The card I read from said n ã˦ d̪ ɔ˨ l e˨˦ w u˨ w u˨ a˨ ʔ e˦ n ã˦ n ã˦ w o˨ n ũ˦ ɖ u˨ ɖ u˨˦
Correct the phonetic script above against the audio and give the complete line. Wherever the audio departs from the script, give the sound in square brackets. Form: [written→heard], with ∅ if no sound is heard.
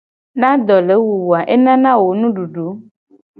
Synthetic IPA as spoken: n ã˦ d̪ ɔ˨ l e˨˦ w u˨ w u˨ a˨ ʔ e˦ n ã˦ n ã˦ w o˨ n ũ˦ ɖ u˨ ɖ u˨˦